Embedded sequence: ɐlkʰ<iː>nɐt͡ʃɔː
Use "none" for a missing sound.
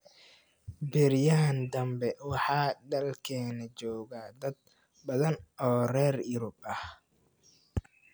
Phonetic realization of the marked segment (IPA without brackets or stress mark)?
ɛː